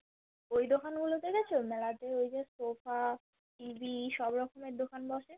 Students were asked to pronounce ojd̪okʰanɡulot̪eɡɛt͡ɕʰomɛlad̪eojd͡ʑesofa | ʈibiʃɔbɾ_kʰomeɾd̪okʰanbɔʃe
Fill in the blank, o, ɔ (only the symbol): ɔ